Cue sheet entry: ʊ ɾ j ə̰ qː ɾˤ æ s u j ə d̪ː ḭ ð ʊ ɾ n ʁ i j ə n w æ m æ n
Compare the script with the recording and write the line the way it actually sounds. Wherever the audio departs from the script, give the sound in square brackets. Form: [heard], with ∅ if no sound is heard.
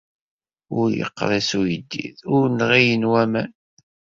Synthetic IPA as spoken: ʊ ɾ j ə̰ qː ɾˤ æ s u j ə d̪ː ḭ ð ʊ ɾ n ʁ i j ə n w æ m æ n